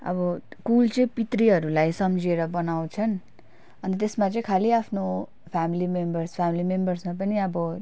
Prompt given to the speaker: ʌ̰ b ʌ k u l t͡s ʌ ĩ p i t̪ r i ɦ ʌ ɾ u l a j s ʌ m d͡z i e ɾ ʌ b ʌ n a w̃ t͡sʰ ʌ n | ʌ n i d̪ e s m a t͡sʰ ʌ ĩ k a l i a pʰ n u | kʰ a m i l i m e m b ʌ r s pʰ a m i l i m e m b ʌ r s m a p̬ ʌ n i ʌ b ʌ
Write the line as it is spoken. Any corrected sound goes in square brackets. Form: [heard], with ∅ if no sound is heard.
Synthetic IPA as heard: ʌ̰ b ʌ k u l t͡s ʌ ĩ p i t̪ r i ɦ ʌ ɾ u l a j s ʌ m d͡z i e ɾ ʌ b ʌ n a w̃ t͡sʰ ʌ n | ʌ n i [t̪] e s m a [t͡s] ʌ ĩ [kʰ] a l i a pʰ n [o] | [pʰ] a m i l i m e m b ʌ r s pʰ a m i l i m e m b ʌ r s m a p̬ ʌ n i ʌ b ʌ